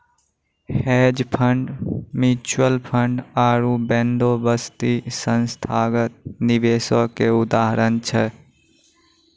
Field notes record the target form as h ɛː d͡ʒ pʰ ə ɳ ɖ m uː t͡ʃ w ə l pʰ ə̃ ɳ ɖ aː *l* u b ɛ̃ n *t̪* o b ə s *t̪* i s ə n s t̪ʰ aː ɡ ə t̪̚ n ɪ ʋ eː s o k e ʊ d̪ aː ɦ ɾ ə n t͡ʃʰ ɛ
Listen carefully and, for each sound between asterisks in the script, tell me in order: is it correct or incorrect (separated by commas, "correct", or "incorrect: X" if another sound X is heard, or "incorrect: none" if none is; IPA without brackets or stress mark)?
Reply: incorrect: ɾ, incorrect: d̪, correct